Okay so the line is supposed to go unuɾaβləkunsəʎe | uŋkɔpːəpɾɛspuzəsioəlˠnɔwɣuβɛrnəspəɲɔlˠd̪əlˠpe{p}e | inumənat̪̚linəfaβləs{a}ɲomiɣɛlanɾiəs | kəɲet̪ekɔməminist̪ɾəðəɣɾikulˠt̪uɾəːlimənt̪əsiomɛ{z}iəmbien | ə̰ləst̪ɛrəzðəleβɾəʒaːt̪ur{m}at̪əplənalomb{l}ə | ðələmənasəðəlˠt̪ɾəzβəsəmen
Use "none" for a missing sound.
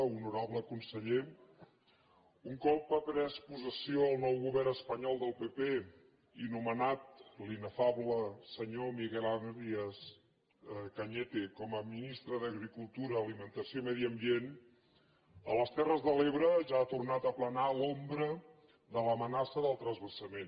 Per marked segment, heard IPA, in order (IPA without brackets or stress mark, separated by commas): p, ə, ð, n, ɾ